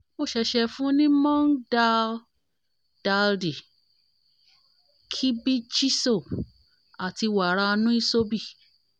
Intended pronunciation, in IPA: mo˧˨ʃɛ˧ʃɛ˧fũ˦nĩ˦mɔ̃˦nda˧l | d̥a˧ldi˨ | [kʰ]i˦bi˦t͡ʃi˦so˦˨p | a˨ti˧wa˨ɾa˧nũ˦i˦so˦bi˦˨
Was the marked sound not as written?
no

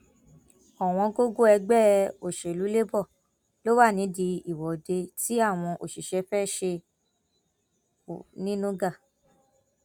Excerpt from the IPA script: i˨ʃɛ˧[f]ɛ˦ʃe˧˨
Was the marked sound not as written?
no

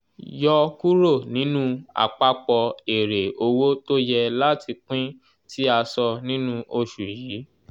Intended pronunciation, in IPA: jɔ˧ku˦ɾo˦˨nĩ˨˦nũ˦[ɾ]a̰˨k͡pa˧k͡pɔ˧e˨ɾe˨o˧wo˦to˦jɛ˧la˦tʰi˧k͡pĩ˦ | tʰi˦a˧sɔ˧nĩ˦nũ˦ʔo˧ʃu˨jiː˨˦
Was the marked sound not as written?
yes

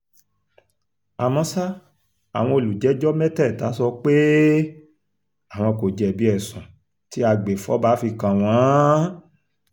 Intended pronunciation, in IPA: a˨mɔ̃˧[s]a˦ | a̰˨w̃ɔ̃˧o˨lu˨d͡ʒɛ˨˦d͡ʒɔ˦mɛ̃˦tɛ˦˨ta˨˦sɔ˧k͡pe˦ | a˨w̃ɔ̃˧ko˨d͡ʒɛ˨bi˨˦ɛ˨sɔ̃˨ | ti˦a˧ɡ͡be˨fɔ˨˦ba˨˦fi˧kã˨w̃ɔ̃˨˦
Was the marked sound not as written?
no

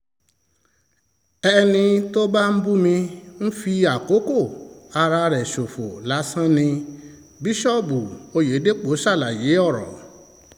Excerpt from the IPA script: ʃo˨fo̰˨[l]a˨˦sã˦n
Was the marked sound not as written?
no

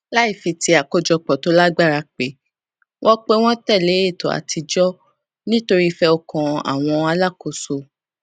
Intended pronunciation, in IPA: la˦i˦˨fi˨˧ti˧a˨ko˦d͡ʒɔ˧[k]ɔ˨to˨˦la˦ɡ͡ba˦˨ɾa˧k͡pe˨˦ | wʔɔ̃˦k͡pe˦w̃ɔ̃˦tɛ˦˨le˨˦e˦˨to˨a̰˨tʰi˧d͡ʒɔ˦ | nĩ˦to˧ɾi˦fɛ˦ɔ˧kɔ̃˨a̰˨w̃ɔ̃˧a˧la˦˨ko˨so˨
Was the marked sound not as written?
yes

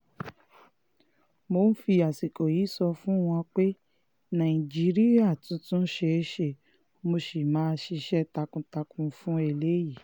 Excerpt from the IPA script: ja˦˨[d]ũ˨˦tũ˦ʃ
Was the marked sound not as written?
yes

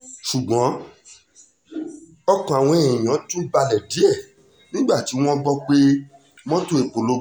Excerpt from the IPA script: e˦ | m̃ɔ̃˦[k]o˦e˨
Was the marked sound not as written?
yes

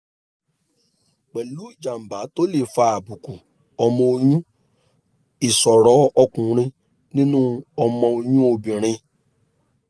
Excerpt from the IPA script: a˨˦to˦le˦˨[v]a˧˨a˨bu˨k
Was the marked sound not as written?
yes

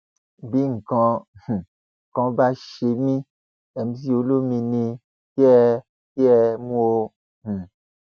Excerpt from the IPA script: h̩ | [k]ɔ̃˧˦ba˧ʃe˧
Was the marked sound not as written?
no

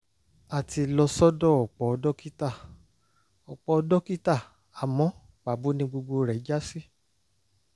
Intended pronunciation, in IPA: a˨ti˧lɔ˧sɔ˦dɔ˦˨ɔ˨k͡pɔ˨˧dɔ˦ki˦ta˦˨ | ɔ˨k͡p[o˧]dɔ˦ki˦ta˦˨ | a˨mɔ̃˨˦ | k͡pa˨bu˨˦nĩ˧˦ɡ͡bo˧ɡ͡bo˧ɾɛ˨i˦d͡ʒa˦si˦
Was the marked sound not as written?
yes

